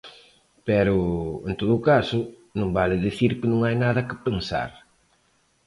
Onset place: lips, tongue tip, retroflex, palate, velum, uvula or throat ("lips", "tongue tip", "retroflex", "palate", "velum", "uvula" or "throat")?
lips